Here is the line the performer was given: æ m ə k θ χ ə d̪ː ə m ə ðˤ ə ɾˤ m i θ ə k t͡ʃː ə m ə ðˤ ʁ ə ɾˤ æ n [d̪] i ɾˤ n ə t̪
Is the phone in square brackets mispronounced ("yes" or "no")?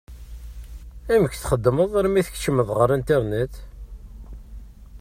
yes